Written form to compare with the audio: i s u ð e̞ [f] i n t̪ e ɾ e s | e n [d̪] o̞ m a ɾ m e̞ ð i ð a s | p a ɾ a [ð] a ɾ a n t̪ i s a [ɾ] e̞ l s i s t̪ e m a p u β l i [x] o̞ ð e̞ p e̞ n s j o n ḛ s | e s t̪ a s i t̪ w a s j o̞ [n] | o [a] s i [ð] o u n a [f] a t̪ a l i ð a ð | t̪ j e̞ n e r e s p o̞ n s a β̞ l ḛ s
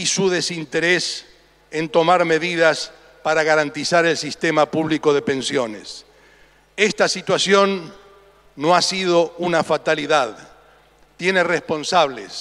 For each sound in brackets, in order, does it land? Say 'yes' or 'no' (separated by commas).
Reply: no, no, no, yes, no, no, yes, yes, yes